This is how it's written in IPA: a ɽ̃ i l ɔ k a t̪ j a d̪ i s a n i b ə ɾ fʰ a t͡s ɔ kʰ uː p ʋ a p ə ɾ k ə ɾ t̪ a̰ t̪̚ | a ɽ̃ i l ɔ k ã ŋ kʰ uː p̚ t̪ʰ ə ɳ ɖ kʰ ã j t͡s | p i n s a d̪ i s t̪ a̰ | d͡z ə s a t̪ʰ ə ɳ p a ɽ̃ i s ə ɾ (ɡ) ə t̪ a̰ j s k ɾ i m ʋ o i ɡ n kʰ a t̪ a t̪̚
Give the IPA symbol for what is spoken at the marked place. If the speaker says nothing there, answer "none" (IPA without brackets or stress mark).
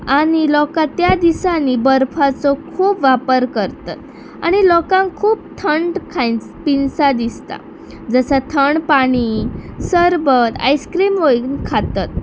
b